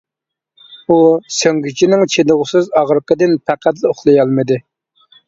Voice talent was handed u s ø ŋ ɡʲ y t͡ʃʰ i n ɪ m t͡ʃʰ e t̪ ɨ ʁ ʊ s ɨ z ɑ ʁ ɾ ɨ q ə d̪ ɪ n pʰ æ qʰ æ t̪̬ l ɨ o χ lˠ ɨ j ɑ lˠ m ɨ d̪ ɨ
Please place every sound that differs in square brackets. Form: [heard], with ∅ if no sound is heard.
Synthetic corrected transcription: u s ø ŋ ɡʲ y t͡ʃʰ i n ɪ [ŋ] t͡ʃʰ e [d̪] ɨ ʁ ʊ s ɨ z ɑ ʁ ɾ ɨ q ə d̪ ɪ n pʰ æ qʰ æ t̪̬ l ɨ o χ lˠ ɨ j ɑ lˠ m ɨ d̪ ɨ